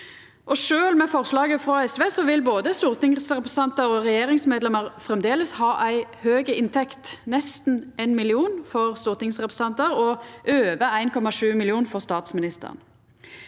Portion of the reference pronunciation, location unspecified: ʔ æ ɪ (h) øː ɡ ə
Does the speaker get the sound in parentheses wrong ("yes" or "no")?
no